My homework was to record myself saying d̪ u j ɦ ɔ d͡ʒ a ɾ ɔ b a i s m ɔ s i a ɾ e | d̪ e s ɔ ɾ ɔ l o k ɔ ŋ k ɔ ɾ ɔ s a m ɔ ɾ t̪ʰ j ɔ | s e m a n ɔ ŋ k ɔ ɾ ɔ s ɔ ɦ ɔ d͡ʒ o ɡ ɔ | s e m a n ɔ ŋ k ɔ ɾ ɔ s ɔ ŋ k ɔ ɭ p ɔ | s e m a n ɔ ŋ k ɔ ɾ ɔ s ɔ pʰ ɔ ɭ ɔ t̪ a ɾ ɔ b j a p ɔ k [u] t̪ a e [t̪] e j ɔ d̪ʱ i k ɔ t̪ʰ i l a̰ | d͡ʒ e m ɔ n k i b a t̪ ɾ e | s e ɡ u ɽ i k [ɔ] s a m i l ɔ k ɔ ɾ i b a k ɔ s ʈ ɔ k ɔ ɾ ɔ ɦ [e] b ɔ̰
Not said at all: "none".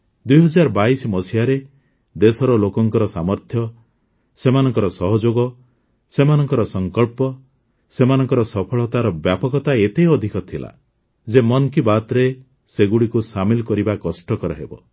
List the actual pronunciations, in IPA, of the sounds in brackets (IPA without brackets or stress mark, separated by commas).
ɔ, t̪, u, e